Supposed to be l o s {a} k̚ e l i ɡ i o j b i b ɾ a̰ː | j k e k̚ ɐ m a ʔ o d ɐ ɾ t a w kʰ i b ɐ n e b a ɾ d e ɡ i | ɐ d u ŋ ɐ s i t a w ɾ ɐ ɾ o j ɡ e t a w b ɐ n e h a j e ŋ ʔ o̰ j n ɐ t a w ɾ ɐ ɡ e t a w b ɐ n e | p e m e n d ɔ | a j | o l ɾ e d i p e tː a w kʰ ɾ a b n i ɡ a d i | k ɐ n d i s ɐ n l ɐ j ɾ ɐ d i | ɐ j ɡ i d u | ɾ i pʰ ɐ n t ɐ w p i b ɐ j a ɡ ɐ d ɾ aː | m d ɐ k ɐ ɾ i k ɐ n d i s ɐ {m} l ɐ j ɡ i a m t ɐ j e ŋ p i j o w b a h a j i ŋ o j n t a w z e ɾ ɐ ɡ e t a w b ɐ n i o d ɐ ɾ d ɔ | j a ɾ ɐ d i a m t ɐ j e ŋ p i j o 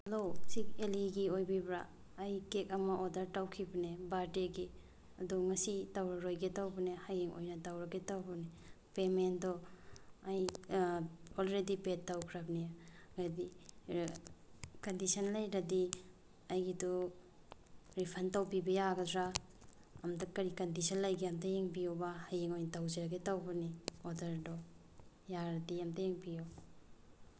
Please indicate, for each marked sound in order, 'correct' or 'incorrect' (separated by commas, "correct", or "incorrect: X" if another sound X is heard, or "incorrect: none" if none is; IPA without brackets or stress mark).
incorrect: i, incorrect: n